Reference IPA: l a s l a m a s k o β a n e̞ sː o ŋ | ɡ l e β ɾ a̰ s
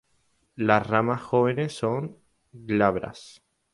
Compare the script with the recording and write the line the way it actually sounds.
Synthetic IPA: l a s r a m a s x o β e n e̞ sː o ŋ | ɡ l a β ɾ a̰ s